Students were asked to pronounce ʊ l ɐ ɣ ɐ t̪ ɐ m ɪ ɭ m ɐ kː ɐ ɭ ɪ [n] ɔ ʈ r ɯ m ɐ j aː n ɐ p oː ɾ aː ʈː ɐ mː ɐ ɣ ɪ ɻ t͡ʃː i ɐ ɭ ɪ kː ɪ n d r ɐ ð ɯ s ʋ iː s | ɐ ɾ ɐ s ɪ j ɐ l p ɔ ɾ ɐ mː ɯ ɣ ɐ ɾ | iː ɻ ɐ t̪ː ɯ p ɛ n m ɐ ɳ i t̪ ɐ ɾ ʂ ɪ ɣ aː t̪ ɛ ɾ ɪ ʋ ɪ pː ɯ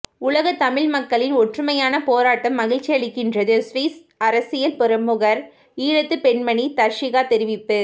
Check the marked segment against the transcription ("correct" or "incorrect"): correct